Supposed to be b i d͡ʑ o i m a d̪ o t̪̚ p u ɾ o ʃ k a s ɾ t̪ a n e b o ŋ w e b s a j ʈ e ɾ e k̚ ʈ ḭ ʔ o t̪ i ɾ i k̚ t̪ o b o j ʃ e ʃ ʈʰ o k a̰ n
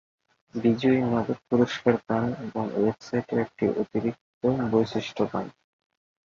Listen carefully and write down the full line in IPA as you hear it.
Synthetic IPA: b i d͡ʑ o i m a d̪ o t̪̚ p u ɾ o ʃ k a ɾ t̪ a n e b o ŋ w e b s a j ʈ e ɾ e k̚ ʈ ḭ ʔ o t̪ i ɾ i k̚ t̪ o b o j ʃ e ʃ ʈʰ o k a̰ n

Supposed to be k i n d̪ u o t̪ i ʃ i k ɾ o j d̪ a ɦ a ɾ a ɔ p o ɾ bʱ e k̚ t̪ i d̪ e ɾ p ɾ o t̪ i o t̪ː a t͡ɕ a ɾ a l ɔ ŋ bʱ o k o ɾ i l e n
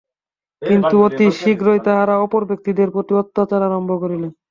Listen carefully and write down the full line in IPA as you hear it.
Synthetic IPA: k i n t̪ u o t̪ i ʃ i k ɾ o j t̪ a ɦ a ɾ a ɔ p o ɾ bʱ e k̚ t̪ i d̪ e ɾ p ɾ o t̪ i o t̪ː a t͡ɕ a ɾ a ɾ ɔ m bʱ o k o ɾ i l e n

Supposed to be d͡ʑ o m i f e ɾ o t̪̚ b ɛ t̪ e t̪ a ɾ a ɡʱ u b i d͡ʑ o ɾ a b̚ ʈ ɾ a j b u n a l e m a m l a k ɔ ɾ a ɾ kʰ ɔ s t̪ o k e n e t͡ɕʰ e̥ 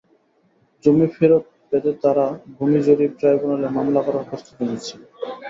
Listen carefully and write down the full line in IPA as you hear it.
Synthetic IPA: d͡ʑ o m i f e ɾ o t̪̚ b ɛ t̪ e t̪ a ɾ a bʱ u m i d͡ʑ o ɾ i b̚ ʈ ɾ a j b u n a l e m a m l a k ɔ ɾ a ɾ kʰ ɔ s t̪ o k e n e t͡ɕʰ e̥

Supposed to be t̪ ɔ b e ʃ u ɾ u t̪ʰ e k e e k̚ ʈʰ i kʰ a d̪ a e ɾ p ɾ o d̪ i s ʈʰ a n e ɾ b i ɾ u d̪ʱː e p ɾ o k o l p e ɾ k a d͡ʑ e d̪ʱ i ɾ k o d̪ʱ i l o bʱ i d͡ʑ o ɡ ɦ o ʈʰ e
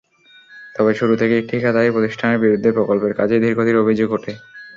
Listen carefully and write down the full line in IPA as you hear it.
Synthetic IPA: t̪ ɔ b e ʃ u ɾ u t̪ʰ e k e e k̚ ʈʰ i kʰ a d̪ a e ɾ p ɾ o t̪ i ʃ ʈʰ a n e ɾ b i ɾ u d̪ʱː e p ɾ o k o l p e ɾ k a d͡ʑ e d̪ʱ i ɾ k o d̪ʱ i ɾ o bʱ i d͡ʑ o ɡ ɦ o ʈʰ e

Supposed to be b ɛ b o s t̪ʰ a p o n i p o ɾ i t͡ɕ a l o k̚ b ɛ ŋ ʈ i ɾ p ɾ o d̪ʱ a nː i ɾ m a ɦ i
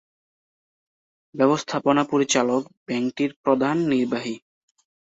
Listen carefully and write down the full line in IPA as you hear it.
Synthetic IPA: b ɛ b o s t̪ʰ a p o n a p o ɾ i t͡ɕ a l o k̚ b ɛ ŋ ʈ i ɾ p ɾ o d̪ʱ a nː i ɾ b a ɦ i

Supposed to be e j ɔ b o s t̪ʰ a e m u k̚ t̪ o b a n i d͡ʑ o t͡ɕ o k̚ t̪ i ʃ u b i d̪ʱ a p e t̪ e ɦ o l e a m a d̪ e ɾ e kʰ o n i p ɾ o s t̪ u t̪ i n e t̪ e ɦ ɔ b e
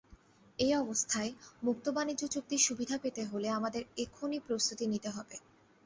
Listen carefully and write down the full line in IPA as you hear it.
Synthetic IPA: e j ɔ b o s t̪ʰ a e m u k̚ t̪ o b a n i d͡ʑ o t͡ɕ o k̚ t̪ i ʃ u b i d̪ʱ a p e t̪ e ɦ o l e a m a d̪ e ɾ e kʰ o n i p ɾ o s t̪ u t̪ i n i t̪ e ɦ ɔ b e

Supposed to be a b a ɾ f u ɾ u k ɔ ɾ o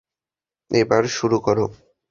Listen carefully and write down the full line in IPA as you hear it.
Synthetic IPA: e b a ɾ ʃ u ɾ u k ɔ ɾ o

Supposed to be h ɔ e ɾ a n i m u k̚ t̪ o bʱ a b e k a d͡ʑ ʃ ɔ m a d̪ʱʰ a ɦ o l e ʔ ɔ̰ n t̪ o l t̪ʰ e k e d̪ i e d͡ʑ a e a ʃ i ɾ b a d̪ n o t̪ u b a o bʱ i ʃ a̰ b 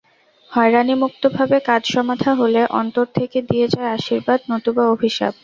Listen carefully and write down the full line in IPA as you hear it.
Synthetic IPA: h ɔ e ɾ a n i m u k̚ t̪ o bʱ a b e k a d͡ʑ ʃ ɔ m a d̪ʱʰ a ɦ o l e ʔ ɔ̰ n t̪ o ɾ t̪ʰ e k e d̪ i e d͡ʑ a e a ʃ i ɾ b a d̪ n o t̪ u b a o bʱ i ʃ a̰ b

